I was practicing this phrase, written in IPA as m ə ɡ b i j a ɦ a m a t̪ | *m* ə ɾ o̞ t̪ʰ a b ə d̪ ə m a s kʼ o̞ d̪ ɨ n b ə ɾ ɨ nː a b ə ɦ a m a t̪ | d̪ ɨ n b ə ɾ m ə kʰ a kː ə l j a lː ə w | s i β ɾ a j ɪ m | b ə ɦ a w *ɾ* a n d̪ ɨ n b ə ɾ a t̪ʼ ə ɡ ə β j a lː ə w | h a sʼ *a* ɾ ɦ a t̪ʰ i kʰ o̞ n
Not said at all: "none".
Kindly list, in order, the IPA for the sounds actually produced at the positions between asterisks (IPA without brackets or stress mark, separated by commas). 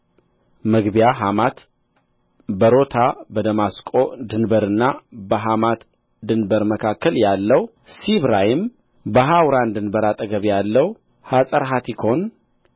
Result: b, ɾ, ə